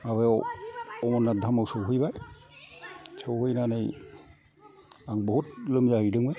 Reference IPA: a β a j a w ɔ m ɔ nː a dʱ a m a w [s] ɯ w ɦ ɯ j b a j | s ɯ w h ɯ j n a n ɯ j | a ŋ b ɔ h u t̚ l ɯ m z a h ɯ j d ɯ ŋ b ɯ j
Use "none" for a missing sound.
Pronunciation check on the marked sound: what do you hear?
s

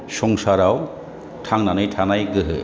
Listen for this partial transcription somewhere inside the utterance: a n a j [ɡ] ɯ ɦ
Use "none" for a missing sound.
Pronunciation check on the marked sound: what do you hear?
ɡ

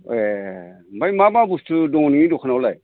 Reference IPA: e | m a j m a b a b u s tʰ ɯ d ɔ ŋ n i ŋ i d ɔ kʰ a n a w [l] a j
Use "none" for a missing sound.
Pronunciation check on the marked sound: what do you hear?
l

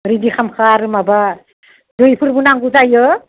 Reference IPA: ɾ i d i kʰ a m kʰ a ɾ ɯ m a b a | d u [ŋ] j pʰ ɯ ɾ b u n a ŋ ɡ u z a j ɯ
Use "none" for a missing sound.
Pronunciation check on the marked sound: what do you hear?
none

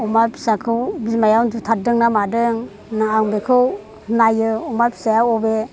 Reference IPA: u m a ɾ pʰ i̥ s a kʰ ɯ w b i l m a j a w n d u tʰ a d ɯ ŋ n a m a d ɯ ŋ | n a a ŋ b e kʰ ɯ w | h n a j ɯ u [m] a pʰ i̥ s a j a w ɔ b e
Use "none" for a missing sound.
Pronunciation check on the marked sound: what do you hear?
m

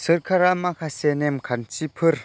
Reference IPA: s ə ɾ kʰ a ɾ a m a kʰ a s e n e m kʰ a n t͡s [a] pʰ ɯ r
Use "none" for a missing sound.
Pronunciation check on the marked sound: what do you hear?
i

